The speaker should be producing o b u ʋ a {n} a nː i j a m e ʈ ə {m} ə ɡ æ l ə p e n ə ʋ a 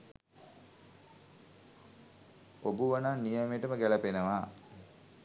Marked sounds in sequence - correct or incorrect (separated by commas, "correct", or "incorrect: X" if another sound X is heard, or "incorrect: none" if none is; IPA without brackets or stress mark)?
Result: correct, correct